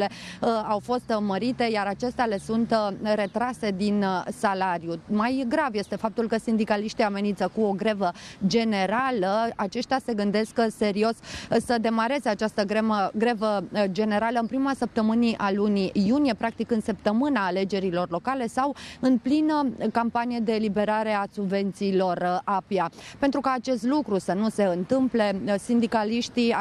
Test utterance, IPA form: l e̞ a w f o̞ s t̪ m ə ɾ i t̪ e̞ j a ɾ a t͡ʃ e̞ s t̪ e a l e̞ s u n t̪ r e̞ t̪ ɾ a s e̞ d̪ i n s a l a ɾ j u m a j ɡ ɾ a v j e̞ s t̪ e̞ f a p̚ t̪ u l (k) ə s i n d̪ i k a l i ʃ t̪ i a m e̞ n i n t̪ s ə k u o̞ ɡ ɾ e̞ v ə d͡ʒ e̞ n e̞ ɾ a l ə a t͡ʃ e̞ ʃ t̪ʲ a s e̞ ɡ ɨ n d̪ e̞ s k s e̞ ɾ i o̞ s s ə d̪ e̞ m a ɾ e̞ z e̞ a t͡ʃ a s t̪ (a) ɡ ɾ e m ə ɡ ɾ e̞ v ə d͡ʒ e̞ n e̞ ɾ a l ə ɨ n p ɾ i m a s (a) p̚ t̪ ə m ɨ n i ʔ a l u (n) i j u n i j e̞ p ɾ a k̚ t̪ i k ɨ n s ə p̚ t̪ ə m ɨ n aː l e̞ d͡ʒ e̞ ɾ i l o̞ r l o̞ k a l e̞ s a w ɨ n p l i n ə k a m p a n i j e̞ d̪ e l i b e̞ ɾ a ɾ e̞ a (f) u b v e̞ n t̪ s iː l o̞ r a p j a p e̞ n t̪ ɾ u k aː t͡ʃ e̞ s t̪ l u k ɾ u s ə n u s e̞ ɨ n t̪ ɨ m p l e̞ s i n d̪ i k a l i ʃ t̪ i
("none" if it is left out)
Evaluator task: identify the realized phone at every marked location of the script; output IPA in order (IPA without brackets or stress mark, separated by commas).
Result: k, ə, ə, n, s